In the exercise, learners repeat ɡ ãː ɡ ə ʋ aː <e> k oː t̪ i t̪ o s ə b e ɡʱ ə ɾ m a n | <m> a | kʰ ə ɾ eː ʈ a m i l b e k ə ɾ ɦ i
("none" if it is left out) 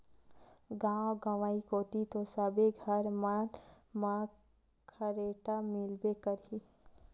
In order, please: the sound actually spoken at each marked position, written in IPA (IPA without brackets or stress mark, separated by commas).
i, m